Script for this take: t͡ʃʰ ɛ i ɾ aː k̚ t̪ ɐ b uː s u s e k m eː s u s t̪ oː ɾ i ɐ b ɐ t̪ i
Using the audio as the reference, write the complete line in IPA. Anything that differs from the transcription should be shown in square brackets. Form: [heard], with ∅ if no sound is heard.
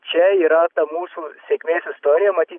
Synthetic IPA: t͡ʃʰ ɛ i ɾ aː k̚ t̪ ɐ [m] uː s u s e k m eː s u s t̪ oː ɾ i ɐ [m] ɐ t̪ i